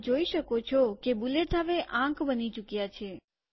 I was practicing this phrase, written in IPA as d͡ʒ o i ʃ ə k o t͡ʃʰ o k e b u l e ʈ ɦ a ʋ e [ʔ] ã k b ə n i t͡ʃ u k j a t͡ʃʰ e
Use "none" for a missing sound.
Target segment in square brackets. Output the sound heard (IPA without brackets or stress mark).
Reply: ʔ